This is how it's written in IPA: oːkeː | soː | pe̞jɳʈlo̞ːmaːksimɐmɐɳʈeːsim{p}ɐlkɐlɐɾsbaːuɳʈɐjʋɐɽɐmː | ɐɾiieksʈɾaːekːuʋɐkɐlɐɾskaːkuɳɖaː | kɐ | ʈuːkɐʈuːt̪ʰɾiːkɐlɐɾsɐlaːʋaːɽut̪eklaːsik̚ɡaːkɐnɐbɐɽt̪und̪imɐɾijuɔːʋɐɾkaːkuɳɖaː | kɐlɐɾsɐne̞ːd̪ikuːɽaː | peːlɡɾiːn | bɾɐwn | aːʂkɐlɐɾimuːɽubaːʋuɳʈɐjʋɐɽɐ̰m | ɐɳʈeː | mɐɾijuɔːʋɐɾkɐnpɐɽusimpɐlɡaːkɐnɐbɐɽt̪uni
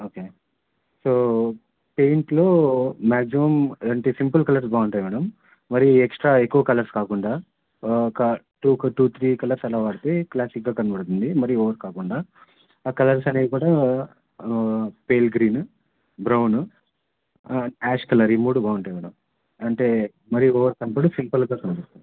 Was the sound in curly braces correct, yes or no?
yes